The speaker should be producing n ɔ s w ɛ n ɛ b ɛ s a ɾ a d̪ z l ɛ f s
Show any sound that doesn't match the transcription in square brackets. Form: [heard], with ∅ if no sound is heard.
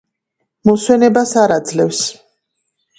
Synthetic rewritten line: [m] ɔ s w ɛ n ɛ b [a] s a ɾ a d̪ z l ɛ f s